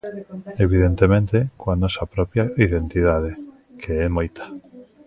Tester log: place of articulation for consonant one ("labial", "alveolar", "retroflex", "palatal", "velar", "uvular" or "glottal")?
labial